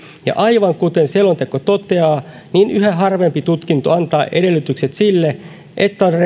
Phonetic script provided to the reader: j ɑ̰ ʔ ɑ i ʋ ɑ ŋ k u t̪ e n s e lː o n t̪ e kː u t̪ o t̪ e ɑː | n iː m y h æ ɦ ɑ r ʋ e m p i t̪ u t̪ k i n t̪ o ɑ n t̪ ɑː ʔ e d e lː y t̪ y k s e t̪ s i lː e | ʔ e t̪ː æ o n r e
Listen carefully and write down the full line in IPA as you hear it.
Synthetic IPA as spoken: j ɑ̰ ʔ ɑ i ʋ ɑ ŋ k u t̪ e n s e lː o n t̪ e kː o t̪ o t̪ e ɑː | n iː n y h æ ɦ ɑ r ʋ e m p i t̪ u t̪ k i n t̪ o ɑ n t̪ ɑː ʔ e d e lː y t̪ y k s e t̪ s i lː e | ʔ e t̪ː æ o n r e

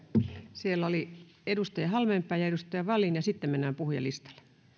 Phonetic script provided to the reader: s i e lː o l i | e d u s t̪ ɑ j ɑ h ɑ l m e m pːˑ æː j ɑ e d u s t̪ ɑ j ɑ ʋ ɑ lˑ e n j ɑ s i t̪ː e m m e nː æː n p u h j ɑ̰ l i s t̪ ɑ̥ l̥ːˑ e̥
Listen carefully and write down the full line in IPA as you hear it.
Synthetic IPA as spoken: s i e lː o l i | e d u s t̪ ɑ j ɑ h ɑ l m e m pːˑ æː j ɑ e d u s t̪ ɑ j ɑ ʋ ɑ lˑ i n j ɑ s i t̪ː e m m e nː æː m p u h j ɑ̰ l i s t̪ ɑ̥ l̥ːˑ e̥

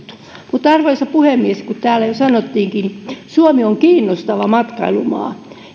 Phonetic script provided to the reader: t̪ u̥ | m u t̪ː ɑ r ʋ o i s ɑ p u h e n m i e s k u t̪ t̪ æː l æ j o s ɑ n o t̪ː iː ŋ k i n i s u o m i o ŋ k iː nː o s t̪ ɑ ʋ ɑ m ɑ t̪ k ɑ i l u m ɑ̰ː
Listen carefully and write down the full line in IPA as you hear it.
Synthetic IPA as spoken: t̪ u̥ | m u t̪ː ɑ r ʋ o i s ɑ p u h e m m i e s k u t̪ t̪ æː l æ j o s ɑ n o t̪ː iː ŋ k i n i s u o m i o ŋ k iː nː o s t̪ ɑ ʋ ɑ m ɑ t̪ k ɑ i l u m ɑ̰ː

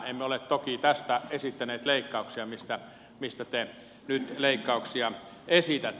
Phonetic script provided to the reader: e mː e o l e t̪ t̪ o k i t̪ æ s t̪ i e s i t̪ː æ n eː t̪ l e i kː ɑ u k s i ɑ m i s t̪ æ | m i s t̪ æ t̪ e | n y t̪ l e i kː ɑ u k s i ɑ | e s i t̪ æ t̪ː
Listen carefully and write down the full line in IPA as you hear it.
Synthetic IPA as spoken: e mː e o l e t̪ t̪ o k i t̪ æ s t̪ æ e s i t̪ː æ n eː t̪ l e i kː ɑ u k s i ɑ m i s t̪ æ | m i s t̪ æ t̪ e | n y t̪ l e i kː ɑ u k s i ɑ | e s i t̪ æ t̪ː

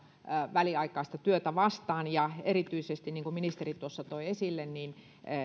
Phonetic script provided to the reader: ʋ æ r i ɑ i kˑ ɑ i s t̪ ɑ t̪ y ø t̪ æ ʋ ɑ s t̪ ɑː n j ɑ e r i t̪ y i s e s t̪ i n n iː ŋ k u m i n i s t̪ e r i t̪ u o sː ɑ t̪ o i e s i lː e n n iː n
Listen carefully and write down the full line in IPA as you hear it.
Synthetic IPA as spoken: ʋ æ l i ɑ i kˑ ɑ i s t̪ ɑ t̪ y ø t̪ æ ʋ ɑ s t̪ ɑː n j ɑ e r i t̪ y i s e s t̪ i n n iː ŋ k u m i n i s t̪ e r i t̪ u o sː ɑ t̪ o i e s i lː e n n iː n

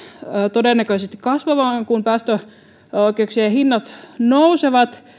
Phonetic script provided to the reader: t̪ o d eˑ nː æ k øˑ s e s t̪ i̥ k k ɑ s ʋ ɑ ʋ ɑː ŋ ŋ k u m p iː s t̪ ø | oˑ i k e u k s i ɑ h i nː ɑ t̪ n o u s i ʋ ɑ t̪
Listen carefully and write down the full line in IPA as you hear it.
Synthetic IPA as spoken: t̪ o d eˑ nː æ k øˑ s e s t̪ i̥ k k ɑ s ʋ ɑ ʋ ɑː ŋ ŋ k u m p æː s t̪ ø | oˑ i k e u k s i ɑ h i nː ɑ t̪ n o u s e ʋ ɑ t̪

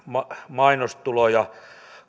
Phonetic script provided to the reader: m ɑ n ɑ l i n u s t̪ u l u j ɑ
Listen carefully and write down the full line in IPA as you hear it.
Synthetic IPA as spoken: m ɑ m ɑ i n o s t̪ u l o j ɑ

